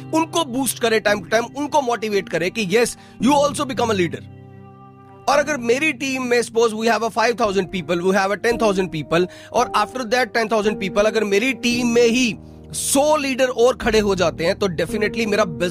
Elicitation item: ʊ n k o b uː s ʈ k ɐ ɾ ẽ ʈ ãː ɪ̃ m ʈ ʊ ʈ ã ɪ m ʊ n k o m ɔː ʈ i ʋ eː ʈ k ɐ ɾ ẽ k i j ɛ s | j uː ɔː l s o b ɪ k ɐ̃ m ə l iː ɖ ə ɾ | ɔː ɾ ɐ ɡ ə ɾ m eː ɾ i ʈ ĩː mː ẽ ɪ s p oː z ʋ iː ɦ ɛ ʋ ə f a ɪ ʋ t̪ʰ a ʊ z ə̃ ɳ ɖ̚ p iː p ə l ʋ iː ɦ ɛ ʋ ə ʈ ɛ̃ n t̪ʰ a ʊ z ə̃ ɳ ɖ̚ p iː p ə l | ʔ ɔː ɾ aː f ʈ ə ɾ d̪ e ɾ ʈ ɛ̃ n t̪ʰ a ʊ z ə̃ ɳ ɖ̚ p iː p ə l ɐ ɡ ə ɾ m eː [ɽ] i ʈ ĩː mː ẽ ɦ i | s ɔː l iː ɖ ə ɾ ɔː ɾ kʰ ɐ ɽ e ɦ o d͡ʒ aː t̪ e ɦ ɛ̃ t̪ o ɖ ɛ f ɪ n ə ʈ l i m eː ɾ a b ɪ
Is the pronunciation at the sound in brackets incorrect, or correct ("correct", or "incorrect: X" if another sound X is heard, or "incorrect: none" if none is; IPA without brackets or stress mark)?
incorrect: ɾ